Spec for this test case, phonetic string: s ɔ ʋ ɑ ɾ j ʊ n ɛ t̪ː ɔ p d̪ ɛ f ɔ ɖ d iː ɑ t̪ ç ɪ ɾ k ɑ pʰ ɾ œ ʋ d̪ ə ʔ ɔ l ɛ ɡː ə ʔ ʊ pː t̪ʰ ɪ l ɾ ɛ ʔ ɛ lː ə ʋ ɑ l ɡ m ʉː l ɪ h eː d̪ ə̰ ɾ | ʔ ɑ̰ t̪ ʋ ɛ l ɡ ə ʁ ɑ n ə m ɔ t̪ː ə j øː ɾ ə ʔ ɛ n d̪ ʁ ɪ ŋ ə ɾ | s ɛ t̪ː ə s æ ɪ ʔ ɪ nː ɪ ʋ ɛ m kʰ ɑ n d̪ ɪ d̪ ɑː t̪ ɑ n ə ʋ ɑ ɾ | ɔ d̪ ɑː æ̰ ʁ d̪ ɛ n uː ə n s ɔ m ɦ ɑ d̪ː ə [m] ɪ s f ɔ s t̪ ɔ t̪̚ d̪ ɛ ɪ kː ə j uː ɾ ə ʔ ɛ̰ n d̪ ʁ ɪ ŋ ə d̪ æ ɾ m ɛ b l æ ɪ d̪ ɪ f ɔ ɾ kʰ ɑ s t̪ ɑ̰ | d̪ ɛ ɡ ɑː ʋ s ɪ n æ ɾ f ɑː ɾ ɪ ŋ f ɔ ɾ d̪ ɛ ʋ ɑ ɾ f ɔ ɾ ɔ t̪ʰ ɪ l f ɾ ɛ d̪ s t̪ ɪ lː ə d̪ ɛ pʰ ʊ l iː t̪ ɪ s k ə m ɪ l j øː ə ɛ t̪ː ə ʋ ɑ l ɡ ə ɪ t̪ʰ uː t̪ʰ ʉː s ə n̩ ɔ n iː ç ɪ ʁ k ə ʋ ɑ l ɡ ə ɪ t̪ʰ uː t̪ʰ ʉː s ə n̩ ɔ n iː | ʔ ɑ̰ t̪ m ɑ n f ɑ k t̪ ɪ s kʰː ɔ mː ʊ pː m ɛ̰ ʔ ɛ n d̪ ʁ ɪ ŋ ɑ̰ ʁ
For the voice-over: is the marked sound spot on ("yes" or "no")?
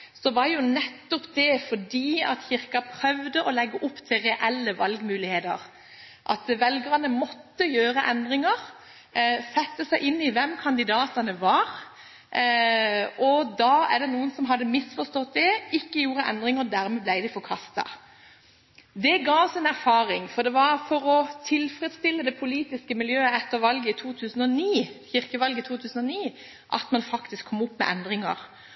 yes